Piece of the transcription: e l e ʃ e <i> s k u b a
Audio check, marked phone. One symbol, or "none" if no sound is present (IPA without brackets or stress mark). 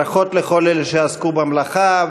a